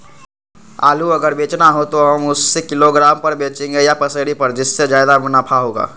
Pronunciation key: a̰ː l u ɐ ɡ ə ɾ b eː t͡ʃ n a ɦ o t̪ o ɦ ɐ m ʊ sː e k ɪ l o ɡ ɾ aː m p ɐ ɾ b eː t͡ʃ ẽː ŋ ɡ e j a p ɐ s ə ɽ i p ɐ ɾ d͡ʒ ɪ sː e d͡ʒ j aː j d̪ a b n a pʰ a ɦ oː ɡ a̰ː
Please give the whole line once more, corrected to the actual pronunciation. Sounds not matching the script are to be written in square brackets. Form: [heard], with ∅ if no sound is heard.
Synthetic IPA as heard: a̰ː l u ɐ ɡ ə ɾ b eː t͡ʃ n a ɦ o t̪ o ɦ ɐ m ʊ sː e k ɪ l o ɡ ɾ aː m p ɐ ɾ b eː t͡ʃ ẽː ŋ ɡ e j a p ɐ s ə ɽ i p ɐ ɾ d͡ʒ ɪ sː e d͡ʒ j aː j d̪ a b n a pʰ a ɦ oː ɡ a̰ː